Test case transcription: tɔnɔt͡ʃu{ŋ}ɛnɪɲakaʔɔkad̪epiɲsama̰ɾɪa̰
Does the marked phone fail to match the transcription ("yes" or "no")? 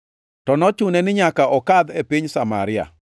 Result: yes